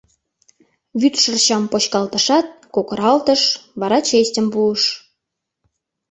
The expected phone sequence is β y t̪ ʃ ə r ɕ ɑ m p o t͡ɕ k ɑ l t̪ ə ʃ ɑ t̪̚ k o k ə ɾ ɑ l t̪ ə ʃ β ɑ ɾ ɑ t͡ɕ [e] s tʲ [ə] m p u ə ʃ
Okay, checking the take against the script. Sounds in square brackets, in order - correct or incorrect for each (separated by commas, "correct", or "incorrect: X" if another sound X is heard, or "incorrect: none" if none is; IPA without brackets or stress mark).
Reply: correct, correct